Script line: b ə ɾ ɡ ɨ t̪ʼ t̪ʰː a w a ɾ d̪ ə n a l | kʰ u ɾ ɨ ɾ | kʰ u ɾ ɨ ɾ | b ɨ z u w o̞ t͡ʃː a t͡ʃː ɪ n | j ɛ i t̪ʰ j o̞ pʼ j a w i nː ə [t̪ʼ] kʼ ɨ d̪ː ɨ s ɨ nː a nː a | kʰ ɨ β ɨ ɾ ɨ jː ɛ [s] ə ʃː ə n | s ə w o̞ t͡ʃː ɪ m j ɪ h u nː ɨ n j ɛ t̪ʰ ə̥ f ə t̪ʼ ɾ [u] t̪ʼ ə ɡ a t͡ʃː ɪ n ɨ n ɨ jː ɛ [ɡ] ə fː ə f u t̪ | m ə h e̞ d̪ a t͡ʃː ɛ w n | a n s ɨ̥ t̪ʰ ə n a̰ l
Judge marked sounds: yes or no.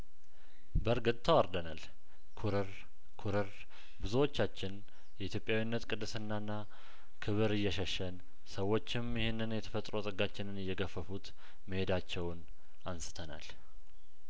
no, no, no, yes

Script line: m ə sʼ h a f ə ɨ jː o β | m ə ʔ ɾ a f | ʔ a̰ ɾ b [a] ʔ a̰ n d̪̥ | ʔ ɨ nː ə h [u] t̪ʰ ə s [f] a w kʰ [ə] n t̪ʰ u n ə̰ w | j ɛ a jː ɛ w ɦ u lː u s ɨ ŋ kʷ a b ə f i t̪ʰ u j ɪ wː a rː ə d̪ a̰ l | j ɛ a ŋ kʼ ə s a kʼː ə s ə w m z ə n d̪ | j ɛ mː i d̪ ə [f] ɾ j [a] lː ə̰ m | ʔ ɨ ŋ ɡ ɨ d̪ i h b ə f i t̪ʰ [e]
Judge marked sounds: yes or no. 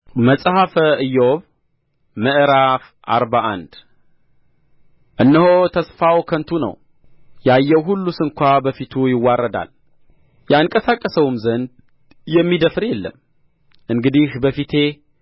yes, no, yes, yes, yes, no, yes

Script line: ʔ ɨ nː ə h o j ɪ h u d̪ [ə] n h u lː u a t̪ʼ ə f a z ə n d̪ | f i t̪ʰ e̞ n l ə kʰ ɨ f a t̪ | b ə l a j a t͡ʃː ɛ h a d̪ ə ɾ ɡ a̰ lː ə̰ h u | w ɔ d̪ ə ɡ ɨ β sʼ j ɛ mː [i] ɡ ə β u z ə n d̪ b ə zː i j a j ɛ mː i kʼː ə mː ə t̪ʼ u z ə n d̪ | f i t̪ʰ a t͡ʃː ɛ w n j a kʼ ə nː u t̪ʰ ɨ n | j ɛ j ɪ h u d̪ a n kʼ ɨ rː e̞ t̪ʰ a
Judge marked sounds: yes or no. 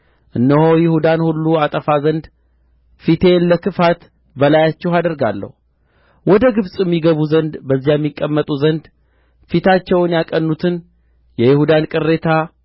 no, yes

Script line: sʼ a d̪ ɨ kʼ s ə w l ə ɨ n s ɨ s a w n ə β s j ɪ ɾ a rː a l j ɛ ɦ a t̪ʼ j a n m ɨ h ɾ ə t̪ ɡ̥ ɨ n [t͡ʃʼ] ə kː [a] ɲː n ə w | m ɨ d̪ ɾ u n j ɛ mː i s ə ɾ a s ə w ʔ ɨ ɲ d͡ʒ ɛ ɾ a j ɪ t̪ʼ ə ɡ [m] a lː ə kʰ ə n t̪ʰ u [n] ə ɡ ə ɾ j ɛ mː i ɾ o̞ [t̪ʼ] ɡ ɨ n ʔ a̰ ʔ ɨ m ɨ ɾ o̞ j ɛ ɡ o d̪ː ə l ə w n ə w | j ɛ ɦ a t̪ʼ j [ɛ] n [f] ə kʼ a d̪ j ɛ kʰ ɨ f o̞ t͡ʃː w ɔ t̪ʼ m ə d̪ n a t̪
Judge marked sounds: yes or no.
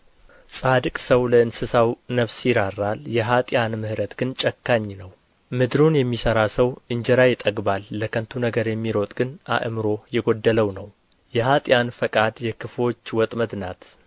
yes, yes, no, yes, yes, no, yes

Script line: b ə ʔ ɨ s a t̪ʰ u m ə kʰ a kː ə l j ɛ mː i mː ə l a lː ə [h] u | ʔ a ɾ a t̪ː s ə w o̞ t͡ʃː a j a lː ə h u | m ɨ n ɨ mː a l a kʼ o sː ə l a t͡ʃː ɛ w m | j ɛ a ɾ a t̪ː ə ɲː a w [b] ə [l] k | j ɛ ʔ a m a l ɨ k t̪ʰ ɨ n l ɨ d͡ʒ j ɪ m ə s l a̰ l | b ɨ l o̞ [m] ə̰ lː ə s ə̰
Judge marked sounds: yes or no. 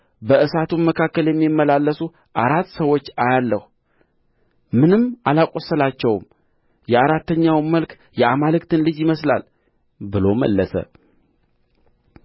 no, no, yes, yes

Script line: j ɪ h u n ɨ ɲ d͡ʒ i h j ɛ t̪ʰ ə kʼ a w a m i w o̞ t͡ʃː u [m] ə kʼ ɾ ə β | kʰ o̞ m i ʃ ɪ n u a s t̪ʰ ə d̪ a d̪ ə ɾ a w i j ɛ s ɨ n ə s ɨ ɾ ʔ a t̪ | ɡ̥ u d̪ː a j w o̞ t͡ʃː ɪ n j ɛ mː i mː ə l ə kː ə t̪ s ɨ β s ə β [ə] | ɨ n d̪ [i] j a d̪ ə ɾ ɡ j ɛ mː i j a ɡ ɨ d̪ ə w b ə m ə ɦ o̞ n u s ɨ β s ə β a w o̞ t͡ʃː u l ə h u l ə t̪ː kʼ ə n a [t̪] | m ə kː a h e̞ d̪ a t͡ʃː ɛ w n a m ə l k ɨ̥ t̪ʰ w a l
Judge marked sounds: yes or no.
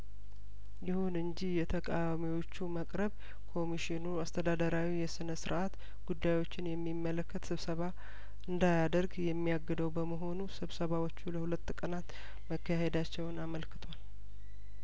yes, no, no, yes

